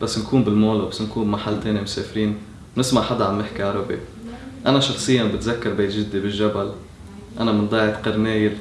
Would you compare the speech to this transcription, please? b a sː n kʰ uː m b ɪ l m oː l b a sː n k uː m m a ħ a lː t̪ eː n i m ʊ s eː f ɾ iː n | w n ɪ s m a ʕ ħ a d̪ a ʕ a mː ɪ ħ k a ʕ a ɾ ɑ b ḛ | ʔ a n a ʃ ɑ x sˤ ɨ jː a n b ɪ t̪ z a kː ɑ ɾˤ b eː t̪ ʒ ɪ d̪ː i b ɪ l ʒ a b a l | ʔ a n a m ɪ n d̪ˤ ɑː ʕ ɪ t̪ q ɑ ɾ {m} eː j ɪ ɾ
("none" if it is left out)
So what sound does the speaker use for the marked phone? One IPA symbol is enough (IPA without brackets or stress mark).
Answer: n